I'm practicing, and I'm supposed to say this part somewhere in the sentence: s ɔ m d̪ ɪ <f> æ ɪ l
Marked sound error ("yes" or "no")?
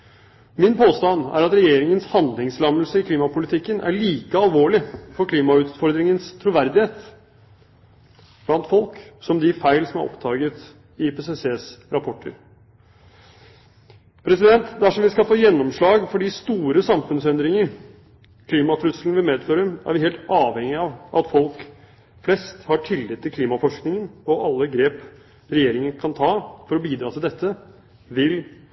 no